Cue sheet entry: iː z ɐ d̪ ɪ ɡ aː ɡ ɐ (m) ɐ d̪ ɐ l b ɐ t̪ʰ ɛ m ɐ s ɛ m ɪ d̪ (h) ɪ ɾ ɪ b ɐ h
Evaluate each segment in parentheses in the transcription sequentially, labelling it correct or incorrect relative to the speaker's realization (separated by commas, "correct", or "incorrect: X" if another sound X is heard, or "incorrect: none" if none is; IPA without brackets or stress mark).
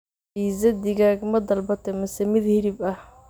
correct, correct